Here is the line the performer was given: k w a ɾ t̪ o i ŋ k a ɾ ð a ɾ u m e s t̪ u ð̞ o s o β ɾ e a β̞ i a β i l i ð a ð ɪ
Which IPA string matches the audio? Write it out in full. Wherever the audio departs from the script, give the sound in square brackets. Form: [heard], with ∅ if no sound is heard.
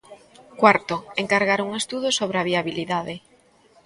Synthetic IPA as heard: k w a ɾ t̪ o [e] ŋ k a ɾ [ɣ] a ɾ u [ŋ] e s t̪ u ð̞ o s o β ɾ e a β̞ i a β i l i ð a ð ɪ